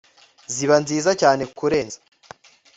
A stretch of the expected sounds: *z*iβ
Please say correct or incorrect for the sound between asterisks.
correct